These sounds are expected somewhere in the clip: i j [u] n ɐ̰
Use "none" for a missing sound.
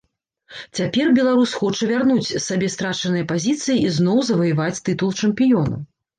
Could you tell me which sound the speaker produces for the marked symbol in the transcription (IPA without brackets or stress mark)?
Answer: ɔ